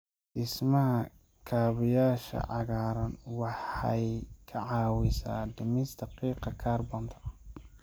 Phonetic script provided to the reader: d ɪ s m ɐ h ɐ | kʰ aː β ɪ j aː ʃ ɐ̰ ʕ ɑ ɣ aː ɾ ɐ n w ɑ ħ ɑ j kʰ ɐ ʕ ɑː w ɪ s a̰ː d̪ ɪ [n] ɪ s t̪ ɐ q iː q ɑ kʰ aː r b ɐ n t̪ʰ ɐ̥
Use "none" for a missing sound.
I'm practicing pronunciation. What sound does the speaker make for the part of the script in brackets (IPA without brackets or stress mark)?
m